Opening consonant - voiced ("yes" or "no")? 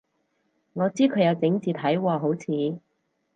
yes